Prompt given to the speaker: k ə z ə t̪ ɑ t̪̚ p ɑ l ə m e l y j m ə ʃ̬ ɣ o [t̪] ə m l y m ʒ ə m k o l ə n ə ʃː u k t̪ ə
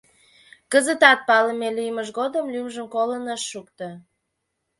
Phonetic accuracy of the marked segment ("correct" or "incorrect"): incorrect